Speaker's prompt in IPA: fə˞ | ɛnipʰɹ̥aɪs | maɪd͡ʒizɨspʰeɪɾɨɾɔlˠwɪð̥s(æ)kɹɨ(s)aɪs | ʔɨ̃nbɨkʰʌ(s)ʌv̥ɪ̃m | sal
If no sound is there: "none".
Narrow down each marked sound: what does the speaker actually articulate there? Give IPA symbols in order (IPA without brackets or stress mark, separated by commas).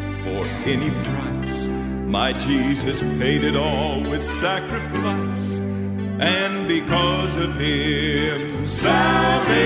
æ, f, z